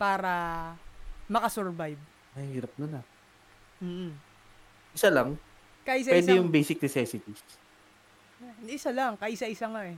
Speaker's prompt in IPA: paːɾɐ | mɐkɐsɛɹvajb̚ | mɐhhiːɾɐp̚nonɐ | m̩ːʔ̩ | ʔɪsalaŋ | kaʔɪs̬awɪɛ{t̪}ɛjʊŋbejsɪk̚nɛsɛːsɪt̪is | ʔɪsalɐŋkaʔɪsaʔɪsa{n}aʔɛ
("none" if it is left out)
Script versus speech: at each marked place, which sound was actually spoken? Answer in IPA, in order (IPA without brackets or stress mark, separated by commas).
d̪, ŋ